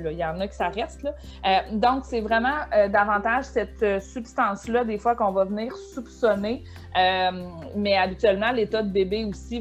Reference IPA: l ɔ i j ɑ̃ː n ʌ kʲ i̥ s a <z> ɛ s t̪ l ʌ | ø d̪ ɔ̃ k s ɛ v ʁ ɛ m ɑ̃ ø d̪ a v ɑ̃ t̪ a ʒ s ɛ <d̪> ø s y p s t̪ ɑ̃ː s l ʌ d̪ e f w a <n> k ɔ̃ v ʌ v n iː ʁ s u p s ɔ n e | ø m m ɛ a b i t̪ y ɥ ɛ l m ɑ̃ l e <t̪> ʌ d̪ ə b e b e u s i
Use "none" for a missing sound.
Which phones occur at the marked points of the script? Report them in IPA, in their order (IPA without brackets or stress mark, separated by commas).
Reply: ʁ, t̪, none, t̪